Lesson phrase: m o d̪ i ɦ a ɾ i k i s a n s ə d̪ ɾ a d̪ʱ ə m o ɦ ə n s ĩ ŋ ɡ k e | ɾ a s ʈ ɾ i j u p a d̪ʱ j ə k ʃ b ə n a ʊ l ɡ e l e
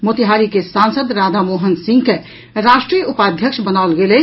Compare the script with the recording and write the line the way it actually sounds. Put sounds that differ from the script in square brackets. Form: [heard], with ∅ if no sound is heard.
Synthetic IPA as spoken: m o [t̪] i ɦ a ɾ i k [e] s a n s ə d̪ ɾ a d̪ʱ [a] m o ɦ ə n s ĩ ŋ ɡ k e | ɾ a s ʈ ɾ i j u p a d̪ʱ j ə k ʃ b ə n a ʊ l ɡ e l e